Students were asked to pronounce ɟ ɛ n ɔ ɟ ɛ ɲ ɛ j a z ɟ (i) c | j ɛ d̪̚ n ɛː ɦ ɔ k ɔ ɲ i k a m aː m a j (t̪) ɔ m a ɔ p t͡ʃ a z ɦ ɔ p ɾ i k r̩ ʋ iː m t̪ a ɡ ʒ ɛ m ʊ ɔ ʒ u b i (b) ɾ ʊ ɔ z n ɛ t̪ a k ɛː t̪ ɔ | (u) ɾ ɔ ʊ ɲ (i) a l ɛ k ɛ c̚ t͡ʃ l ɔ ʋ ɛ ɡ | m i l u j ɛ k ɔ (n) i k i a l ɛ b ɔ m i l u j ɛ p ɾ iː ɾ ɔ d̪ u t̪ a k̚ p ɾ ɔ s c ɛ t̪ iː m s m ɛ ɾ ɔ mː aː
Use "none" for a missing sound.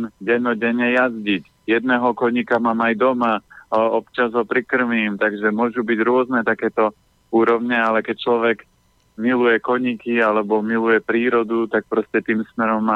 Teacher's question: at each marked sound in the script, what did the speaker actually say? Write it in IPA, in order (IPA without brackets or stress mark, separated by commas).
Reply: i, d̪, ɟ, uː, ɛ, ɲ